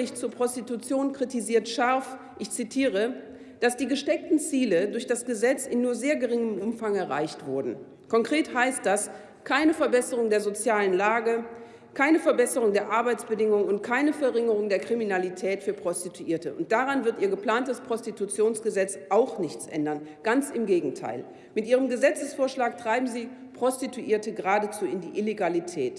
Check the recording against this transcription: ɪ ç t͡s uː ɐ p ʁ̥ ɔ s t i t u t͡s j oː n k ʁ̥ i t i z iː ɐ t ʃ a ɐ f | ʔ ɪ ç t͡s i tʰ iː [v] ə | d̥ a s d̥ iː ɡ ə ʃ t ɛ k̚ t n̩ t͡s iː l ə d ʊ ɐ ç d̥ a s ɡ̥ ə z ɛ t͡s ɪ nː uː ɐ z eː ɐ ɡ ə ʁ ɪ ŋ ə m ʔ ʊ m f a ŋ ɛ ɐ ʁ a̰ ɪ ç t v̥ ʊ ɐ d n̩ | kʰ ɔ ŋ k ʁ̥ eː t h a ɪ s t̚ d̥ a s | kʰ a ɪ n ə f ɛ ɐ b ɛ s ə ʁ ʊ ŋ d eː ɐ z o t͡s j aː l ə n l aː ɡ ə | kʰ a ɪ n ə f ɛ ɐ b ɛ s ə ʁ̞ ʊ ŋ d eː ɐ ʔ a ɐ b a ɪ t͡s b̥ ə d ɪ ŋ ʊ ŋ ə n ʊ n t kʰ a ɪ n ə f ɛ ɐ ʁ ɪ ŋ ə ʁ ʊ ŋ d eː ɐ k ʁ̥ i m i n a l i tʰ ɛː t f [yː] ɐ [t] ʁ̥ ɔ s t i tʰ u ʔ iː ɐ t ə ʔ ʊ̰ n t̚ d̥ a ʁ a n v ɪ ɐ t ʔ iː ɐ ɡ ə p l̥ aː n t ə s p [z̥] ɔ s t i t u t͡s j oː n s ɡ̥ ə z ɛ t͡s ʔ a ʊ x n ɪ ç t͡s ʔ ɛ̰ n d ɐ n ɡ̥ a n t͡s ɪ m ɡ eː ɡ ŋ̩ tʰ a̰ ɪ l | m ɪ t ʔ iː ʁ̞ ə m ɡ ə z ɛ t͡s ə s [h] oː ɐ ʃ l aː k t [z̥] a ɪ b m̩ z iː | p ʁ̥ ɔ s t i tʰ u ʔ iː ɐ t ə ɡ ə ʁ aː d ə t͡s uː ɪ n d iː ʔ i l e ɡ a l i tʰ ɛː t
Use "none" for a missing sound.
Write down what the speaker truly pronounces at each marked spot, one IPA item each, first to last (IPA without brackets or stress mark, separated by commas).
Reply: ʁ, yː, p, ʁ̥, f, ʁ̥